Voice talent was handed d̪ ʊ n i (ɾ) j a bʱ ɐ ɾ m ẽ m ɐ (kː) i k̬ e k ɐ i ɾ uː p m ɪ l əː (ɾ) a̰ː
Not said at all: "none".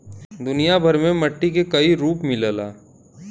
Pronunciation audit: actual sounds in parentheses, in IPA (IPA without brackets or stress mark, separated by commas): none, ʈː, l